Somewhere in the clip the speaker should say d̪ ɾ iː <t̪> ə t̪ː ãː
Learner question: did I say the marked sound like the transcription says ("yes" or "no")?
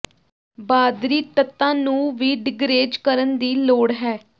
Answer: yes